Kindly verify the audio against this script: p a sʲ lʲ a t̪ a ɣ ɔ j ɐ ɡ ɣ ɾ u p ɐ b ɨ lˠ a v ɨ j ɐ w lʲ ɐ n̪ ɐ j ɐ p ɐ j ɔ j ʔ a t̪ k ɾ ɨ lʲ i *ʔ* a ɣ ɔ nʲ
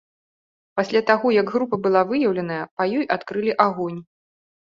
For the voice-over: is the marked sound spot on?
yes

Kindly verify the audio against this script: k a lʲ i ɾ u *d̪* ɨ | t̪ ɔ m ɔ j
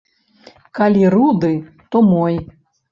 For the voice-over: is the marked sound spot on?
yes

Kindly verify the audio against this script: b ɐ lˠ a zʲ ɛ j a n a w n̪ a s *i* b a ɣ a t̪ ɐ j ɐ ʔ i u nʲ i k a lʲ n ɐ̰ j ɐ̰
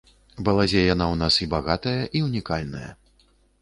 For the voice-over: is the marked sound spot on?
yes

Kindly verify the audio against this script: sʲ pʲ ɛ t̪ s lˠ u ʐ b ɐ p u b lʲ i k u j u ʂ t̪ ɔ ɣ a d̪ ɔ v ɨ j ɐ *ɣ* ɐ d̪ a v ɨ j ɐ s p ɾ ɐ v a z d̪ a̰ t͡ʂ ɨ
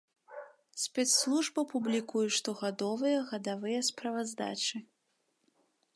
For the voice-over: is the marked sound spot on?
yes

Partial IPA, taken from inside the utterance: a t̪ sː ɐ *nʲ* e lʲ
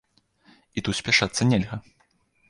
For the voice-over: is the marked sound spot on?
yes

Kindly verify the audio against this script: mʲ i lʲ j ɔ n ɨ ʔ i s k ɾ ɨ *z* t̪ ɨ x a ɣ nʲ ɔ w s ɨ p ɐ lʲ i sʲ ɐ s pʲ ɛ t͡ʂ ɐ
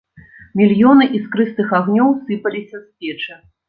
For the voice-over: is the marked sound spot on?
no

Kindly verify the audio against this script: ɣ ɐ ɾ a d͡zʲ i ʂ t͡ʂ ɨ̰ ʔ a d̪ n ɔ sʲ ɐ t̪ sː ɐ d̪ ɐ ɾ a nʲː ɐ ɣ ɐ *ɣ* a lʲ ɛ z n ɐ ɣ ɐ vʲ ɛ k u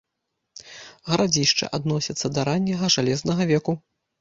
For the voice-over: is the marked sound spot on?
no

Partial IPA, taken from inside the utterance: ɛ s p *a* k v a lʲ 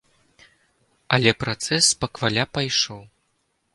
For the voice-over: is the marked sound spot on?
no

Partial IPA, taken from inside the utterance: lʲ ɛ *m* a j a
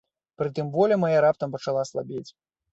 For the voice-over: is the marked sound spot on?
yes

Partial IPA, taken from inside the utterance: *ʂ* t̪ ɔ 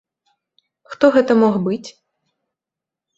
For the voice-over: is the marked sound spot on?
no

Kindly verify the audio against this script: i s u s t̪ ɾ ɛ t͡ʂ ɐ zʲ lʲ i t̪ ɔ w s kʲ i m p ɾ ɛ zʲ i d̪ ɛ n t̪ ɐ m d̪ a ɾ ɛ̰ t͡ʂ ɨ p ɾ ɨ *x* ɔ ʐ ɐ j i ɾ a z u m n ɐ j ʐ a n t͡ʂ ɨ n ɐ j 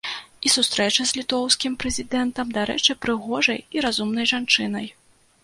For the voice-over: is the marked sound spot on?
no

